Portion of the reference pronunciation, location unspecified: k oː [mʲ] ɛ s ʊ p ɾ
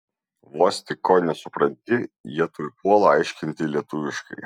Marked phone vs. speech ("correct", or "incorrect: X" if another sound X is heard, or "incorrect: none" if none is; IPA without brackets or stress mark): incorrect: nʲ